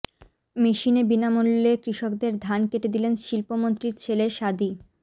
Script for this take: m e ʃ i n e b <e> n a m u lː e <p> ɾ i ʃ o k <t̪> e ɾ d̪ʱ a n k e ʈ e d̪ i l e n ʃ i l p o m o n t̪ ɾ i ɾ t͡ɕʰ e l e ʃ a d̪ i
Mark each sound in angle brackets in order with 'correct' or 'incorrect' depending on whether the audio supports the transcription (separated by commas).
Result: incorrect, incorrect, incorrect